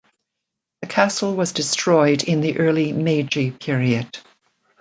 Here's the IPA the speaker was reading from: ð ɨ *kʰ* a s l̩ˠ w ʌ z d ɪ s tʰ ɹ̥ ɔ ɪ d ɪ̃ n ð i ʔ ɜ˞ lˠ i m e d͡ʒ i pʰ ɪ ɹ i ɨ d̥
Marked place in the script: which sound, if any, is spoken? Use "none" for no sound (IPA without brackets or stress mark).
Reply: kʰ